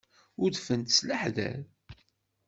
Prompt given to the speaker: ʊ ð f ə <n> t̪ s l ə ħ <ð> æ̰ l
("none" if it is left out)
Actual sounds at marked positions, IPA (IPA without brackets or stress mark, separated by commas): n, ð